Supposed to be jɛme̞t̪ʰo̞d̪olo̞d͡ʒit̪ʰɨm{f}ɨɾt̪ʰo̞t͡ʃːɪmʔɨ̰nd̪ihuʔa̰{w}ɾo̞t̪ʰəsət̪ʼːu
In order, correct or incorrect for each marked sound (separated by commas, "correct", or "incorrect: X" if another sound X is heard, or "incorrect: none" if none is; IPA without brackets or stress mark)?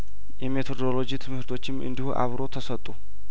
incorrect: h, incorrect: β